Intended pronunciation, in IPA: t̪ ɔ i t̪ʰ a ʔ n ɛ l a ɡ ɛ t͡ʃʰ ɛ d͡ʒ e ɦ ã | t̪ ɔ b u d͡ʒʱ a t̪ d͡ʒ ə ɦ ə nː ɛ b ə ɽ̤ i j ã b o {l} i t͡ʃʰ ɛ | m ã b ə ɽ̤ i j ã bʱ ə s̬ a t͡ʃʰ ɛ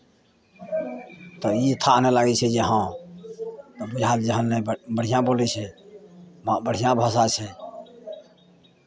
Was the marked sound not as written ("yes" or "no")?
no